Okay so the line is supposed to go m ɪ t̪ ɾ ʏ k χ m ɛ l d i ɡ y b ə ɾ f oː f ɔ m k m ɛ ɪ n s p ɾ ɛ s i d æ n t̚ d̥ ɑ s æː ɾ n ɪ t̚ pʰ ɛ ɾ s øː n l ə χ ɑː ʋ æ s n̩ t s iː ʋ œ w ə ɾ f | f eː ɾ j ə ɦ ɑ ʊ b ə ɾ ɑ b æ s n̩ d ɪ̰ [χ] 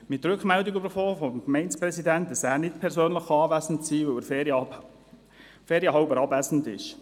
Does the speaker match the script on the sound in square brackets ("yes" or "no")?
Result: no